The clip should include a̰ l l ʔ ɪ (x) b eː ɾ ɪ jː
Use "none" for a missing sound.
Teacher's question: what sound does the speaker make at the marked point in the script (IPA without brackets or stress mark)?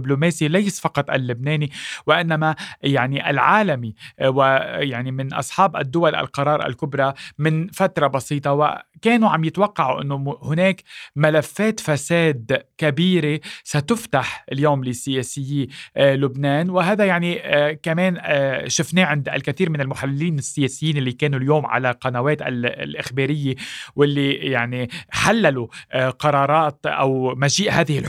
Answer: x